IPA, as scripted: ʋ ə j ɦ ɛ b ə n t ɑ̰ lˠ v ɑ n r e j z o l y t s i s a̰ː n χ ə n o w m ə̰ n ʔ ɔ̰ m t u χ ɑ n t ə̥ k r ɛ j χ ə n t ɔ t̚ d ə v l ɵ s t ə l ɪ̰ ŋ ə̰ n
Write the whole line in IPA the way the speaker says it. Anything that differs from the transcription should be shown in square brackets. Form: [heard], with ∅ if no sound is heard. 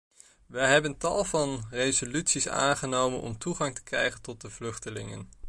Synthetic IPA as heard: ʋ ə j ɦ ɛ b ə n t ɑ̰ lˠ v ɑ n r e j z o l y t s i s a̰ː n χ ə n o w m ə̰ n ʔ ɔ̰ m t u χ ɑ [ŋ] t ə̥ k r ɛ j χ ə n t ɔ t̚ d ə v l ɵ [χ] t ə l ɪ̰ ŋ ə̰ n

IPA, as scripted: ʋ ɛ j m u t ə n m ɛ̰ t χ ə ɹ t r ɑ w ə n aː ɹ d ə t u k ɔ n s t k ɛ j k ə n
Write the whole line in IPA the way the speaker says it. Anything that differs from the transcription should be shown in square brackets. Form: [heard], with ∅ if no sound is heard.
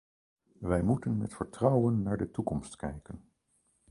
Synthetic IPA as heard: ʋ ɛ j m u t ə n m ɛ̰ t [f] ə ɹ t r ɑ w ə [nː] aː ɹ d ə t u k ɔ [m] s t k ɛ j k ə n

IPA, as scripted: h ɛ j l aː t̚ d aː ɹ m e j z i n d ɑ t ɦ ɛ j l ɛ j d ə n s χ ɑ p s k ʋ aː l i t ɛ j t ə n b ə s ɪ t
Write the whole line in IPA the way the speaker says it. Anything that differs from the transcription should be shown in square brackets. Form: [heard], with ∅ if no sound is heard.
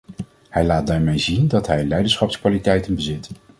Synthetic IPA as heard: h ɛ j l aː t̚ d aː ɹ m e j z i n d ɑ t ɦ ɛ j l ɛ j d ə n s χ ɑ p s k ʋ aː l i t ɛ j t ə n b ə [z] ɪ t

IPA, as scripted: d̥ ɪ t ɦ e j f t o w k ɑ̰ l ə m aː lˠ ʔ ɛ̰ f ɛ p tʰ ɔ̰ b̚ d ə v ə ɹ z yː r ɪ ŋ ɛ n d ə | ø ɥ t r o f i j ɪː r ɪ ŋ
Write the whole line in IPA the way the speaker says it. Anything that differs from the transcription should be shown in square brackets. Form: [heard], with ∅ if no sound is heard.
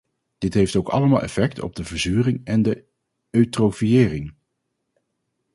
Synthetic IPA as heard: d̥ ɪ t ɦ e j f t o w k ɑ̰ l ə m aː lˠ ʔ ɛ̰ f ɛ [k] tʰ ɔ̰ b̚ d ə v ə ɹ z yː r ɪ ŋ ɛ n d ə | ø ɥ t r o f i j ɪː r ɪ ŋ

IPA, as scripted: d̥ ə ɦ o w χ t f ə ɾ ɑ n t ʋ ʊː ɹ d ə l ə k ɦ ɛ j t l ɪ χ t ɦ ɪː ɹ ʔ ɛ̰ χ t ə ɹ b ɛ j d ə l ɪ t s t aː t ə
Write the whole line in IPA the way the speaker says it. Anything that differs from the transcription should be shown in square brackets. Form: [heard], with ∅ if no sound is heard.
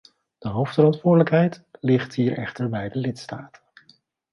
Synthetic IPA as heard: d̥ ə ɦ o w [f] t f ə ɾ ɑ n t ʋ ʊː ɹ d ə l ə k ɦ ɛ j t l ɪ χ t ɦ [iː] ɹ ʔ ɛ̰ χ t ə ɹ b ɛ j d ə l ɪ t s t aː t ə

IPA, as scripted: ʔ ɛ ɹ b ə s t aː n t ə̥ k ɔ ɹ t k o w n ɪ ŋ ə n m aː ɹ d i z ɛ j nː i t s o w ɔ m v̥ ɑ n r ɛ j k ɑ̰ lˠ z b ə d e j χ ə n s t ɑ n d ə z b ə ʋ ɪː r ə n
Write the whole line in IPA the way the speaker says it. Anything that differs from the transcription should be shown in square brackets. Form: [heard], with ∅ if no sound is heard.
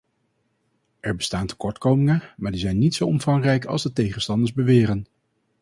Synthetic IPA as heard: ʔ ɛ ɹ b ə s t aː n t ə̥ k ɔ ɹ t k o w [m] ɪ ŋ ə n m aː ɹ d i z ɛ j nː i t s o w ɔ m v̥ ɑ [ŋ] r ɛ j k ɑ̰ lˠ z [d] ə [t] e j χ ə n s t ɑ n d ə z b ə ʋ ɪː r ə n

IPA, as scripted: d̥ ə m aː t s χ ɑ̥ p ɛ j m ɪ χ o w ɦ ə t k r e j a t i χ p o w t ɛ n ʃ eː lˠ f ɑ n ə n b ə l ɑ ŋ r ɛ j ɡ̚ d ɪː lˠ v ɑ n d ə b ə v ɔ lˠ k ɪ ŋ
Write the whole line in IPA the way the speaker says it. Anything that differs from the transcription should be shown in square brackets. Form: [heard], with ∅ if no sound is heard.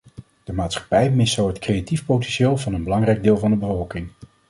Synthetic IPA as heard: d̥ ə m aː t s χ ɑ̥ p ɛ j m ɪ [s] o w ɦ ə t k r e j a t i [f] p o w t ɛ n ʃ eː lˠ [v] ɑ n ə n b ə l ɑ ŋ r ɛ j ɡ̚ d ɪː lˠ v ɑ n d ə b ə v ɔ lˠ k ɪ ŋ

